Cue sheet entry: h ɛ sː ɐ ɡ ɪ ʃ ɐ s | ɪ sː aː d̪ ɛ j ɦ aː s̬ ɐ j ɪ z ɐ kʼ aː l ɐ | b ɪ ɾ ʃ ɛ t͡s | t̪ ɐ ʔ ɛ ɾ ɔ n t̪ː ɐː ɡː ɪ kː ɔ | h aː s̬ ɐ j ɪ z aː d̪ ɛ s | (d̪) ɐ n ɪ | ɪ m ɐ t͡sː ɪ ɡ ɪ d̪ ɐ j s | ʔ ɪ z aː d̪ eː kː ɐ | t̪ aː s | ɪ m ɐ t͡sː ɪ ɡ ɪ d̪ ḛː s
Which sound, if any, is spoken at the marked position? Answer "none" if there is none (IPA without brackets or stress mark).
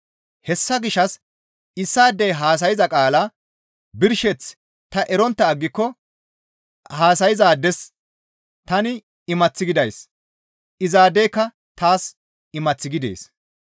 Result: t̪